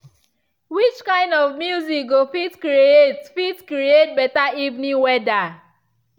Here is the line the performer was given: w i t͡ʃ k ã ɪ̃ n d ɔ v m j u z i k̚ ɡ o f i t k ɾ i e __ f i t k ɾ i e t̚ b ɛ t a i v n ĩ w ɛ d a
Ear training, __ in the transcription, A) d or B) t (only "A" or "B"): B